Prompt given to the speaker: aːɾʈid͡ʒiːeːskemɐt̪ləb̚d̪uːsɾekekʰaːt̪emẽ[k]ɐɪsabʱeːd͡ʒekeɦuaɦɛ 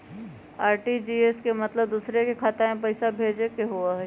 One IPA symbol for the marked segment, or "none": p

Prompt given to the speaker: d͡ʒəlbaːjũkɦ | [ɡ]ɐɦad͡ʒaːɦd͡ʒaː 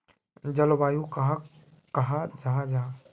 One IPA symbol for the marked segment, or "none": k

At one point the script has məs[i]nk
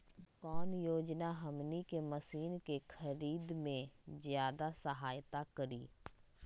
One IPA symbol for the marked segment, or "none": iː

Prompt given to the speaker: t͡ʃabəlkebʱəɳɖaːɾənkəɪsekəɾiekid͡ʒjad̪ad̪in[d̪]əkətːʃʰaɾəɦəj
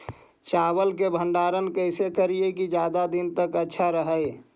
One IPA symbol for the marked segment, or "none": t̪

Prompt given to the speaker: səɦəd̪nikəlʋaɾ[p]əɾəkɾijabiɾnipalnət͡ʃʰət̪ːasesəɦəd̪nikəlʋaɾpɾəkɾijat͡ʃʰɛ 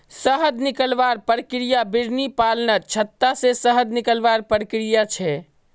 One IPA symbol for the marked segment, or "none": p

